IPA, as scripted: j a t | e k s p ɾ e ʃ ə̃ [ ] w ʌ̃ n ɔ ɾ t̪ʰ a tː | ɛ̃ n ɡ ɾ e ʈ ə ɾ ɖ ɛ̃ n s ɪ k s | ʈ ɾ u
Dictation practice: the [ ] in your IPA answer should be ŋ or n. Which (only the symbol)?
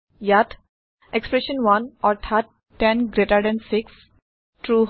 n